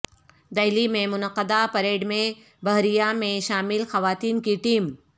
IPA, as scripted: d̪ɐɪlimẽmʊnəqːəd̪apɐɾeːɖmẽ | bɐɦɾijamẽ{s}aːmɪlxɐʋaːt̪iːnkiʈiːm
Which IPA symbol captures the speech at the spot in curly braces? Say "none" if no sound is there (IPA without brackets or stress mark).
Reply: ʃ